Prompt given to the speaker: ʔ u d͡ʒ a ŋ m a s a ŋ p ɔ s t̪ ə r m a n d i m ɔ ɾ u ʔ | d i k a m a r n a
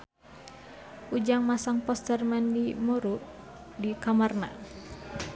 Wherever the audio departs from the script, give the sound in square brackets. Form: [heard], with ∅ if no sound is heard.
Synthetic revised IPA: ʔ u d͡ʒ a ŋ m a s a ŋ p ɔ s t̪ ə r m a n d i m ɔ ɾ u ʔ | d i k a m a r n a